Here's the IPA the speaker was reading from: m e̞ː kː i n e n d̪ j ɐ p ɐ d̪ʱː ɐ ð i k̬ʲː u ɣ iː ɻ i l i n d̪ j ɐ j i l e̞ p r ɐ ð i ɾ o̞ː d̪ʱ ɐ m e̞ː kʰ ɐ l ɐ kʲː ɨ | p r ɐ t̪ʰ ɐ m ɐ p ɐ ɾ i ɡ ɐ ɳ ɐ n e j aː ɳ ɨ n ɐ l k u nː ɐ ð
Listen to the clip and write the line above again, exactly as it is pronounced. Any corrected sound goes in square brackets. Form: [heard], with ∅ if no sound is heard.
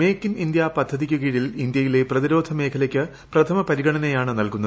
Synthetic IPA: m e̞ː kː i n [i] n d̪ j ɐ p ɐ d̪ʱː ɐ ð i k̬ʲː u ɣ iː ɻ i l i n d̪ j ɐ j i l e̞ p r ɐ ð i ɾ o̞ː d̪ʱ ɐ m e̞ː kʰ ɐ l ɐ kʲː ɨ | p r ɐ t̪ʰ ɐ m ɐ p ɐ ɾ i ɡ ɐ ɳ ɐ n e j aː ɳ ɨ n ɐ l k u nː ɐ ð